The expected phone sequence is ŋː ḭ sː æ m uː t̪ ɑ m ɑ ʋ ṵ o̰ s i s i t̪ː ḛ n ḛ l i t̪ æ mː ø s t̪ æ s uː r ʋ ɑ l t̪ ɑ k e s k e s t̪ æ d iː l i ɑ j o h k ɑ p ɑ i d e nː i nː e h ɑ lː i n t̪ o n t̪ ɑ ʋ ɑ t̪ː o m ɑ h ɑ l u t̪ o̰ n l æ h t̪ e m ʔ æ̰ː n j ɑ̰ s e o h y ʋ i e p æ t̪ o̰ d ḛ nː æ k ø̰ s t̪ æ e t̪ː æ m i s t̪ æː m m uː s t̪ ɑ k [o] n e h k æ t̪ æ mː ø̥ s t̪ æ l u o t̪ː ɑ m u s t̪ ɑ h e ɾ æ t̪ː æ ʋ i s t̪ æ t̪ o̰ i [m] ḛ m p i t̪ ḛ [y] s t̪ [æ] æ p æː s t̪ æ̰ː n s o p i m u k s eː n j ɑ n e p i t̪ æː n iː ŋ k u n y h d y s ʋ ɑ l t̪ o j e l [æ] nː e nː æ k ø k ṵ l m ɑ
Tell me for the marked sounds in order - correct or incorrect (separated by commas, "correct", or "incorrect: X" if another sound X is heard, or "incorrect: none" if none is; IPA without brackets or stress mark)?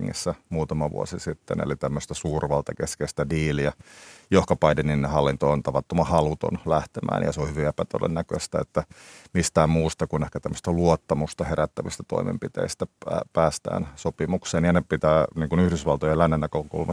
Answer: incorrect: u, correct, incorrect: i, correct, correct